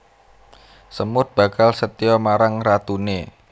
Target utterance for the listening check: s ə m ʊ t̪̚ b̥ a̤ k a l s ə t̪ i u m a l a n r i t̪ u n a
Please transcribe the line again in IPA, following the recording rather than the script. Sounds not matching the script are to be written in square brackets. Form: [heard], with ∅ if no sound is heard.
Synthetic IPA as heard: s ə m ʊ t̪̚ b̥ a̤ k a l s ə t̪ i [ɔ] m a [ɾ] a [ŋ] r [a] t̪ u n [e]

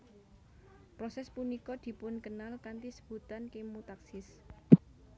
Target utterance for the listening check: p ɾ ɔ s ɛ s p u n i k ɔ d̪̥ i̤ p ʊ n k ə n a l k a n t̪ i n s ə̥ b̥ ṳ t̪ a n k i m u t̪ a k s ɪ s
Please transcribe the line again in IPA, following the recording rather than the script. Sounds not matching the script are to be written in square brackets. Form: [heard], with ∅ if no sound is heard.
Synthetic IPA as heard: p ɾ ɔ s ɛ s p u n i k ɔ d̪̥ i̤ p ʊ n k ə n a l k a n t̪ i [∅] s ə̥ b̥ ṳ t̪ a n k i m u t̪ a k s ɪ s

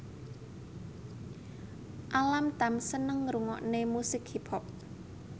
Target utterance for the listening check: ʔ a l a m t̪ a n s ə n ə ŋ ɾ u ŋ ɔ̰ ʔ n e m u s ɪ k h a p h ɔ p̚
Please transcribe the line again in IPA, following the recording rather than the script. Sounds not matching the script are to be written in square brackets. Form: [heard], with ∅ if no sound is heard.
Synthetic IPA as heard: ʔ a l a m t̪ a [m] s ə n ə ŋ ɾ u ŋ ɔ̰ ʔ n e m u s ɪ k h [i] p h ɔ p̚

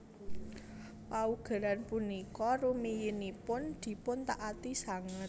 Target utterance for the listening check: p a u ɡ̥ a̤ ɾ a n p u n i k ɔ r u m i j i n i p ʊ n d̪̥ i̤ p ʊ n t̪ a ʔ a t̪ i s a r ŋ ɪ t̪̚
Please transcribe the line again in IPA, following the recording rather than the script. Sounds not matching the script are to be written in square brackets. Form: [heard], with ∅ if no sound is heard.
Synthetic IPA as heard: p a u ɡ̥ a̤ ɾ a n p u n i k ɔ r u m i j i n i p ʊ n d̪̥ i̤ p ʊ n t̪ a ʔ a t̪ i s a [∅] ŋ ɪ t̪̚

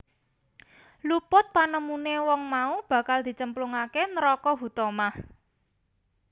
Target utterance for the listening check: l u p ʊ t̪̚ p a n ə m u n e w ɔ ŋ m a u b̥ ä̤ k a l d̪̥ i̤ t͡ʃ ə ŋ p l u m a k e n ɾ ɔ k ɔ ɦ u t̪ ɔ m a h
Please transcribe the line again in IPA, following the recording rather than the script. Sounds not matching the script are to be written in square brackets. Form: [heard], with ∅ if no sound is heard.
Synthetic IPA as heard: l u p ʊ t̪̚ p a n ə m u n e w ɔ ŋ m a u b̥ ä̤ k a l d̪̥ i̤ t͡ʃ ə [m] p l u [ŋ] a k e n ɾ ɔ k ɔ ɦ u t̪ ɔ m a h

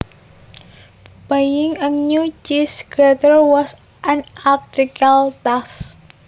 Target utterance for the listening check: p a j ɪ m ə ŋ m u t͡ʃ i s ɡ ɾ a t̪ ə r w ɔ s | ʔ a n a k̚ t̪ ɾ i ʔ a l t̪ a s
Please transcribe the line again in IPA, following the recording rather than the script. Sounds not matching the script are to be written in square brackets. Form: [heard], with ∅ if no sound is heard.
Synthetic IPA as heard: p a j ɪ [ŋ] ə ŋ [ɲ] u t͡ʃ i s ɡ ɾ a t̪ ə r w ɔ s | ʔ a n a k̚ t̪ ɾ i [k] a l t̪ a s

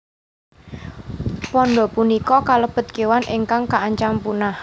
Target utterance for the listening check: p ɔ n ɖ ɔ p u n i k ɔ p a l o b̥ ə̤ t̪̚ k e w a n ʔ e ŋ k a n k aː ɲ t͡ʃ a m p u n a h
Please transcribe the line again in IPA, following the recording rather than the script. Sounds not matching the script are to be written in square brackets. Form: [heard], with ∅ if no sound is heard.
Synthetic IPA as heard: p ɔ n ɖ ɔ p u n i k ɔ [k] a l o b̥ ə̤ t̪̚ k e w a n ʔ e ŋ k a [ŋ] k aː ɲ t͡ʃ a m p u n a h

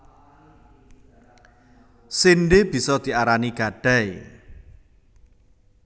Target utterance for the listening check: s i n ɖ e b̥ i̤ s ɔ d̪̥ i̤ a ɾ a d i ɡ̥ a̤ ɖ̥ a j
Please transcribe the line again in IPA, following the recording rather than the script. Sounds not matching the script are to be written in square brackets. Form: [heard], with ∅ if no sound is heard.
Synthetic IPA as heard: s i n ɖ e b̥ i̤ s ɔ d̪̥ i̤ a ɾ a [n] i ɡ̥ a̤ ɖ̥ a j

